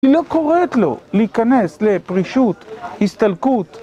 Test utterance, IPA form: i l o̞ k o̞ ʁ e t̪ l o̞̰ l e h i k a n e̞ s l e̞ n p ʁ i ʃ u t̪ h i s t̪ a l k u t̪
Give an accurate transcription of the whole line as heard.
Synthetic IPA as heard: i l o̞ k o̞ ʁ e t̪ l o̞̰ l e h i k a n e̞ s l e̞ p ʁ i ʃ u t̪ h i s t̪ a l k u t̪